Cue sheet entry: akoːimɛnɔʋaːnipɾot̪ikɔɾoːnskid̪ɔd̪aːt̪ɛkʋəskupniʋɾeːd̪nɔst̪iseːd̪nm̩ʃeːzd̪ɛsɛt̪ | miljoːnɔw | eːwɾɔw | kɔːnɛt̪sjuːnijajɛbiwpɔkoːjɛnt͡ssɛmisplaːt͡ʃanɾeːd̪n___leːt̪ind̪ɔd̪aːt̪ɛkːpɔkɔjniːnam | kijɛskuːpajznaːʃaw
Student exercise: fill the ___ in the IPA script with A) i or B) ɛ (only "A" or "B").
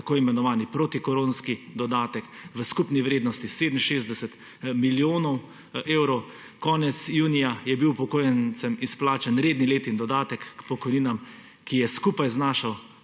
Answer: A